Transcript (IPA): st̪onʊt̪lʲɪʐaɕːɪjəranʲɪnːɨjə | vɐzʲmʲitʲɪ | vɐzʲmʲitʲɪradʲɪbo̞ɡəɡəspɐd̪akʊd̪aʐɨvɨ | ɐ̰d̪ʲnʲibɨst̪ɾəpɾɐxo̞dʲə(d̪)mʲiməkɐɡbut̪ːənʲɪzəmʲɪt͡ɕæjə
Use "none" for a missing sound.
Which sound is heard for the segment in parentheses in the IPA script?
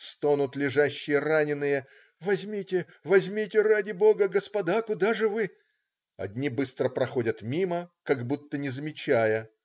t̪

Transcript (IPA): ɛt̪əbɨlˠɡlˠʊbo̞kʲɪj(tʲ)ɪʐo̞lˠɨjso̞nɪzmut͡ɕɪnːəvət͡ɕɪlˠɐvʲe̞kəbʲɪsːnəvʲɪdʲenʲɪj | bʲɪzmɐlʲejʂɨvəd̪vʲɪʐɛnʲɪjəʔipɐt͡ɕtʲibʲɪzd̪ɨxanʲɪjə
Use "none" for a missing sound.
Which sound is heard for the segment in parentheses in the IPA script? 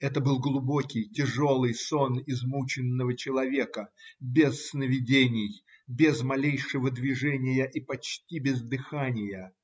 tʲ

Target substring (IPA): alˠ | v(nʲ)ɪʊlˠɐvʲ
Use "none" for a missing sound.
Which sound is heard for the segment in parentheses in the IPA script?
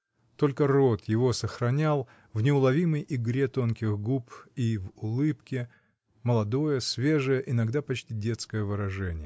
nʲ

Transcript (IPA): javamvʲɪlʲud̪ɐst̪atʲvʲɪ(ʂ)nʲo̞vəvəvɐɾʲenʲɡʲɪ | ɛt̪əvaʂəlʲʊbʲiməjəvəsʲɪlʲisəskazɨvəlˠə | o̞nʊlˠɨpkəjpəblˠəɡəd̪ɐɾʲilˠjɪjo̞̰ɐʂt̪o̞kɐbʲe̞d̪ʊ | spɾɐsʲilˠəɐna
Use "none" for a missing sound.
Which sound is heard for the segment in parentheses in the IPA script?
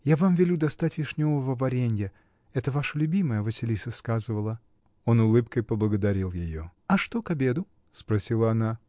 ʂ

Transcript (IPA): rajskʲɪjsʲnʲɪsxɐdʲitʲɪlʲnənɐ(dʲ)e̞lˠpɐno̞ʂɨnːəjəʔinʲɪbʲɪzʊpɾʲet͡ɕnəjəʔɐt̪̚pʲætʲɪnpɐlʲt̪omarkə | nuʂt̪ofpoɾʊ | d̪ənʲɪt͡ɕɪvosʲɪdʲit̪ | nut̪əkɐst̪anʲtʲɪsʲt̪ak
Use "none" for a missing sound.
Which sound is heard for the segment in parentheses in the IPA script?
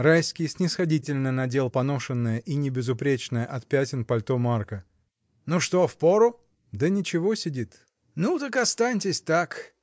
dʲ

